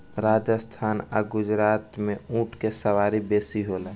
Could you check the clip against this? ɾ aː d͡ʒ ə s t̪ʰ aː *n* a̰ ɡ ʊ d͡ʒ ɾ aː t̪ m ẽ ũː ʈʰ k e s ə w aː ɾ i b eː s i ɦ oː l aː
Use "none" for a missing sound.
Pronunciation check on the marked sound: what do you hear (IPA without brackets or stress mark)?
n